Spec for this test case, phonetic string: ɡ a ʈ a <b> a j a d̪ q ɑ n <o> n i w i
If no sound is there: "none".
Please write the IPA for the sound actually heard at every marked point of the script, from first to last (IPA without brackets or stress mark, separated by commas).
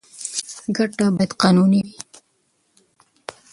b, u